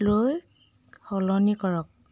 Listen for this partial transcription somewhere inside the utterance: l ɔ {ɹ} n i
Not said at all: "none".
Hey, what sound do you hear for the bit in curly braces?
none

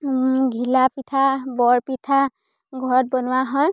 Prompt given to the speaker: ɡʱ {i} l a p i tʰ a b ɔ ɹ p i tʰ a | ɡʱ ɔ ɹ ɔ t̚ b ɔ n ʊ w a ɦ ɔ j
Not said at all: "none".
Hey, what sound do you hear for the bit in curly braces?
i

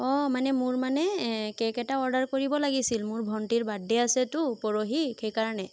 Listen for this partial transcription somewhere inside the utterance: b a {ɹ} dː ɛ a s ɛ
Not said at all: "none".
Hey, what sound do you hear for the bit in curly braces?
none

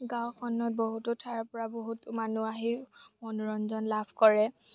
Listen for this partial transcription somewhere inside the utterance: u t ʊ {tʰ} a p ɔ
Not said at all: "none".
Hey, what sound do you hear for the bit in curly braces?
tʰ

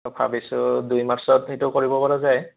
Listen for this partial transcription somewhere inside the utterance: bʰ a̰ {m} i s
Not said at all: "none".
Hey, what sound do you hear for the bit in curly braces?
b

